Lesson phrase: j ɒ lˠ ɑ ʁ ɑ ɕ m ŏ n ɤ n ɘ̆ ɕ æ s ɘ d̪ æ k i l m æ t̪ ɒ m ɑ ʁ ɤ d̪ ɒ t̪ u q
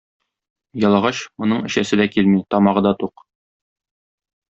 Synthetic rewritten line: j ɒ lˠ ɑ ʁ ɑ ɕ m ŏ n ɤ ɴ ɘ̆ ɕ æ s ɘ d̪ æ k i l m i t̪ ɒ m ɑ ʁ ɤ d̪ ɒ t̪ u q